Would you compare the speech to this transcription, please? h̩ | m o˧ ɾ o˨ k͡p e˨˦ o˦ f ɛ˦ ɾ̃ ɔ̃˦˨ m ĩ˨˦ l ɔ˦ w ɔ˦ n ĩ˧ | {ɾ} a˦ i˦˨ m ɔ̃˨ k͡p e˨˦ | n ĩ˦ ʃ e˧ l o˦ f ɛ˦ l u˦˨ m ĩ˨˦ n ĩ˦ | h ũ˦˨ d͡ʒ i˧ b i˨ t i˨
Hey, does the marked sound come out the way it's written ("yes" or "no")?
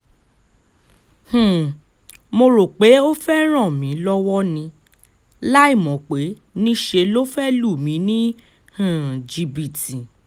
no